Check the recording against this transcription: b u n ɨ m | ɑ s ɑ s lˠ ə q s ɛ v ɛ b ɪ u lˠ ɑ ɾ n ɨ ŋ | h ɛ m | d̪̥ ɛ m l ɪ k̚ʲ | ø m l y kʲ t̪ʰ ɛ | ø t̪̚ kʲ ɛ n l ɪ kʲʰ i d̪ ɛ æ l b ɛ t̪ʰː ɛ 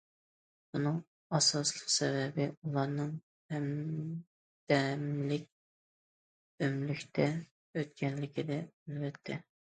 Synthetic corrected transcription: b u n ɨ ŋ | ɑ s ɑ s lˠ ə q s ɛ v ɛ b ɪ u lˠ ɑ ɾ n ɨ ŋ | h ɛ m | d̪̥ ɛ m l ɪ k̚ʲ | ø m l y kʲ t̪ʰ ɛ | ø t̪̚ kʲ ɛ n l ɪ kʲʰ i d̪ ɛ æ l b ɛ t̪ʰː ɛ

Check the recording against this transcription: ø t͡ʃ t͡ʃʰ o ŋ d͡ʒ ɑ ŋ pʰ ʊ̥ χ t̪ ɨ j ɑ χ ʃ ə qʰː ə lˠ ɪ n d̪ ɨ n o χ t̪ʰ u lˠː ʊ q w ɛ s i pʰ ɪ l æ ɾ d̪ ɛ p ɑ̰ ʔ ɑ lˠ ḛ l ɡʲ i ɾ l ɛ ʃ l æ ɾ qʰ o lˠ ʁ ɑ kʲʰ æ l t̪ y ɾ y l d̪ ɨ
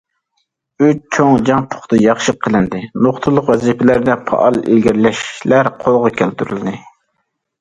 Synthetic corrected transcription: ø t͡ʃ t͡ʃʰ o ŋ d͡ʒ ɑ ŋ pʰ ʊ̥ χ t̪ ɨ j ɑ χ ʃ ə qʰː ə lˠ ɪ n d̪ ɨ n o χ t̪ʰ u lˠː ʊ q w ɛ z i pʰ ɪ l æ ɾ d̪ ɛ pʰ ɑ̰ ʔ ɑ lˠ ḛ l ɡʲ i ɾ l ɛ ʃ l æ ɾ qʰ o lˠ ʁ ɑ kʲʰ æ l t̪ y ɾ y l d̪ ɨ

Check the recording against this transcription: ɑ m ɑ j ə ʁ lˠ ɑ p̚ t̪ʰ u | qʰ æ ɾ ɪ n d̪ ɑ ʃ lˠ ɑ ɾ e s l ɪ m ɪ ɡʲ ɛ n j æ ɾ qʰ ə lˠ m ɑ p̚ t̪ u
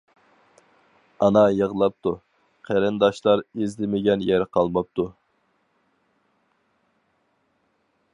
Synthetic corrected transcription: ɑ n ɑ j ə ʁ lˠ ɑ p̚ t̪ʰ u | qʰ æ ɾ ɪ n d̪ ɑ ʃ lˠ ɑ ɾ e z l ɪ m ɪ ɡʲ ɛ n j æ ɾ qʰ ɑ lˠ m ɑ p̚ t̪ u

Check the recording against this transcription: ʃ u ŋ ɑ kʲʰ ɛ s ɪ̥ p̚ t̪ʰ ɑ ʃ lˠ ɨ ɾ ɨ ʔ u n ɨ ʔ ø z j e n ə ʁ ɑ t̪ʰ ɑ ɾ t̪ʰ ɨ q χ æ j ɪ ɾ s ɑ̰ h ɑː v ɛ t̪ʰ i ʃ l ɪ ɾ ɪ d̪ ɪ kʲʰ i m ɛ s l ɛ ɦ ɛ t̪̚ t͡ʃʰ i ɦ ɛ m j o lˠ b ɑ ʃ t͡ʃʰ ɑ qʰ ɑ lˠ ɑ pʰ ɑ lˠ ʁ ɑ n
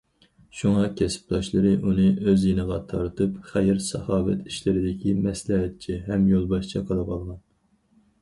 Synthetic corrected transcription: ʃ u ŋ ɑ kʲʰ ɛ s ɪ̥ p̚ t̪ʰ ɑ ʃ lˠ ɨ ɾ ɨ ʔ u n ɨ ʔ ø z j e n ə ʁ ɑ t̪ʰ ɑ ɾ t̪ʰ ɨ p χ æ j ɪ ɾ s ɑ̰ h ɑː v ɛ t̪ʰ i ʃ l ɪ ɾ ɪ d̪ ɪ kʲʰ i m ɛ s l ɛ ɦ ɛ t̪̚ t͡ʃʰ i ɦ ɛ m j o lˠ b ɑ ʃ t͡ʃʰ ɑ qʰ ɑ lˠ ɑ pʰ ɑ lˠ ʁ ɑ n

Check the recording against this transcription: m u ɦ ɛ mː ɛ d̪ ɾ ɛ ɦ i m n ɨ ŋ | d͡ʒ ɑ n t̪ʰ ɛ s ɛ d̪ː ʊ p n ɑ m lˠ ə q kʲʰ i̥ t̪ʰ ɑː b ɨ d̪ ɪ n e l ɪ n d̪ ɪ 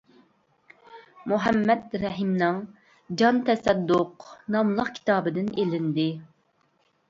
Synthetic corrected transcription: m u ɦ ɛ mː ɛ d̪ ɾ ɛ ɦ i m n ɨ ŋ | d͡ʒ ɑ n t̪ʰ ɛ s ɛ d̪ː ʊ q n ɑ m lˠ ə q kʲʰ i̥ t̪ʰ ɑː b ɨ d̪ ɪ n e l ɪ n d̪ ɪ

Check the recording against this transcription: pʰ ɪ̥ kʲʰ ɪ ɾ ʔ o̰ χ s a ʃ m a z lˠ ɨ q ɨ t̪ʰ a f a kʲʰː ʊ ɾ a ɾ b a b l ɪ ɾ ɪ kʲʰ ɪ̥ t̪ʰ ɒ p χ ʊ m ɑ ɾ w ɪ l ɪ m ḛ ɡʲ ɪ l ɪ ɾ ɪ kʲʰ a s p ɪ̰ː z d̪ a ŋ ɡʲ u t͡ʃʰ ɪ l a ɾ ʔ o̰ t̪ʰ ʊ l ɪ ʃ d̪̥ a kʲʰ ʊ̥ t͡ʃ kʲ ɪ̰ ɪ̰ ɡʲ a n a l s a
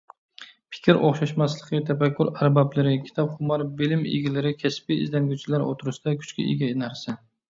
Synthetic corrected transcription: pʰ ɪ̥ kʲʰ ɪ ɾ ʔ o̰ χ ʃ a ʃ m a s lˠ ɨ q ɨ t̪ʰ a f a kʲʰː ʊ ɾ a ɾ b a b l ɪ ɾ ɪ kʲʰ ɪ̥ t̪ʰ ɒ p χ ʊ m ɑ ɾ b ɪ l ɪ m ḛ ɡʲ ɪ l ɪ ɾ ɪ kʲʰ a s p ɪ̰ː z d̪ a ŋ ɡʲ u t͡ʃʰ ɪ l a ɾ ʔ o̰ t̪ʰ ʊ ɾ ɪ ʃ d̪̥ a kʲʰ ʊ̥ t͡ʃ kʲ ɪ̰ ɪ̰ ɡʲ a n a ɾ s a

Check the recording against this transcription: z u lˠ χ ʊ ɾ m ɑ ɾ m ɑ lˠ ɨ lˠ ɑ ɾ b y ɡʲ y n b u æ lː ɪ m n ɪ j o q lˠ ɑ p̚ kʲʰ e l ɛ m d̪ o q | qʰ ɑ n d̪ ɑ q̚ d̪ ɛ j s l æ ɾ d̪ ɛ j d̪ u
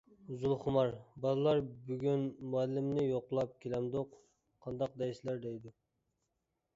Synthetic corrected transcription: z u lˠ χ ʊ m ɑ ɾ b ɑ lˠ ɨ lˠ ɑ ɾ b y ɡʲ y n m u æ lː ɪ m n ɪ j o q lˠ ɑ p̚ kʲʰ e l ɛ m d̪ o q | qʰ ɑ n d̪ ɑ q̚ d̪ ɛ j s l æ ɾ d̪ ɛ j d̪ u

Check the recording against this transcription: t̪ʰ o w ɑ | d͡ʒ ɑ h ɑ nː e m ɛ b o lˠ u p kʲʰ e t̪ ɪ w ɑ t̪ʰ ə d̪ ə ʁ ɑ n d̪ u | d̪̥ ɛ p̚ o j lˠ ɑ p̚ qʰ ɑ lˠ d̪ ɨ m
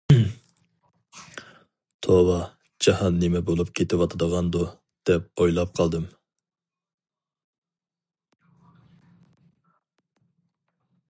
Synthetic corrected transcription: t̪ʰ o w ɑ | d͡ʒ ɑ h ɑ nː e m ɛ b o lˠ u p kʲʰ e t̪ ɪ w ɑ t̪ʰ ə d̪ ə ʁ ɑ n d̪ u | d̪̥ ɛ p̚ o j lˠ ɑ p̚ qʰ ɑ lˠ d̪ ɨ m

